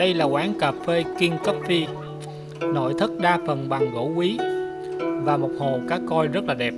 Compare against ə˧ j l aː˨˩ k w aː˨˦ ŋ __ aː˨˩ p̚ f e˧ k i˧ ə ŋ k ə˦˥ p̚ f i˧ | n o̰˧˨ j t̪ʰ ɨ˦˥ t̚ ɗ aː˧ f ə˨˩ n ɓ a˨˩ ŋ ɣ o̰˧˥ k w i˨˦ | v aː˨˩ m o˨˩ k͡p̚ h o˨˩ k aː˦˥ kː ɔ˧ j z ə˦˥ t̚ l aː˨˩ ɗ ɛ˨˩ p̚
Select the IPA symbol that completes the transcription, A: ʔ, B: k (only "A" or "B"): B